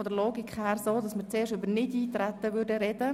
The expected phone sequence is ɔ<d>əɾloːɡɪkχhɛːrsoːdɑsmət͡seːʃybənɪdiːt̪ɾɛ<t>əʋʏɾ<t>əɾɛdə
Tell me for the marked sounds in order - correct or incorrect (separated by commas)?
correct, correct, incorrect